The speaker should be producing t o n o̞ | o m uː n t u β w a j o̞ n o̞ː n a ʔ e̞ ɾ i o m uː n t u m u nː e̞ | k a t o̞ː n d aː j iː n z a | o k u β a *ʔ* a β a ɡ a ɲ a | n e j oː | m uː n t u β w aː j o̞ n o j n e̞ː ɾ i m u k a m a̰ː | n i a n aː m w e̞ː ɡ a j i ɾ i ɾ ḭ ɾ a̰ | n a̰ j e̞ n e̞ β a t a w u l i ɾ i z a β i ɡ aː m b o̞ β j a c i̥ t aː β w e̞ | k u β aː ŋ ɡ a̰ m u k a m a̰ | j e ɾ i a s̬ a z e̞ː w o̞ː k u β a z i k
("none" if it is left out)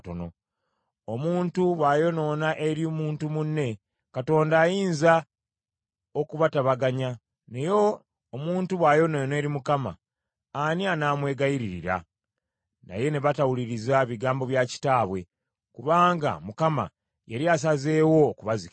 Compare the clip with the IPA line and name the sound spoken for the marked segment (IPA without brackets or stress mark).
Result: t